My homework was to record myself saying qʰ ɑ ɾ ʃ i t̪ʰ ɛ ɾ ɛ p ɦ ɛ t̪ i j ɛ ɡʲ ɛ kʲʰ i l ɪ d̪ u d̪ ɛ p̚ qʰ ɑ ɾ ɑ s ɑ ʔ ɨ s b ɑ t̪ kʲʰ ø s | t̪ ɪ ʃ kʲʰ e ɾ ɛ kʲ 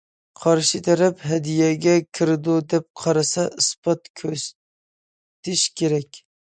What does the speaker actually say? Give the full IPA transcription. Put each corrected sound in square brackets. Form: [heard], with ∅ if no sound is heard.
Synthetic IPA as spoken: qʰ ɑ ɾ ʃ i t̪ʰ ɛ ɾ ɛ p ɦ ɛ [d̪] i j ɛ ɡʲ ɛ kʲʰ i [ɾ] ɪ d̪ u d̪ ɛ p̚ qʰ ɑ ɾ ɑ s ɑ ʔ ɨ s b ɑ t̪ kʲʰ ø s | t̪ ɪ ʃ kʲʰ e ɾ ɛ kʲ